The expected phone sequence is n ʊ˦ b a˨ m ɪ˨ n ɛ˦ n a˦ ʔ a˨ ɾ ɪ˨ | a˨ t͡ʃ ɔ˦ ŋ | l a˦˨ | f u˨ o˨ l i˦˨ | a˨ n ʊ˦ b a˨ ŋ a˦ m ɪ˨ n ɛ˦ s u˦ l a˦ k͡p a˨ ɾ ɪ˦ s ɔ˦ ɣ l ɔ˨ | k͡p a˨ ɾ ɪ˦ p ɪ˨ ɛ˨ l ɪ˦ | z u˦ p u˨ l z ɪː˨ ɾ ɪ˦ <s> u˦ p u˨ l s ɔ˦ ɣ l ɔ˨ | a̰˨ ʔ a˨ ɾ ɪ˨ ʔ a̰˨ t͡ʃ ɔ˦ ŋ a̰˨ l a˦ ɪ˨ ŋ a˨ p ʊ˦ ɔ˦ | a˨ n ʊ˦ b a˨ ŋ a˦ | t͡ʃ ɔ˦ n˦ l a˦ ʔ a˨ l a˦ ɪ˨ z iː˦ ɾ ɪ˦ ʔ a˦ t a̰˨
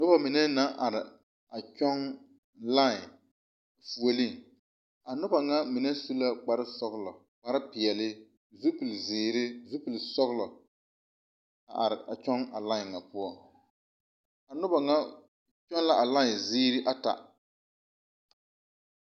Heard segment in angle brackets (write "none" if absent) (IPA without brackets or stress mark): z